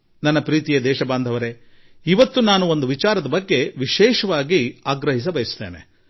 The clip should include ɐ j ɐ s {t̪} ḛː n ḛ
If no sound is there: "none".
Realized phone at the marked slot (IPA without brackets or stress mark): t̪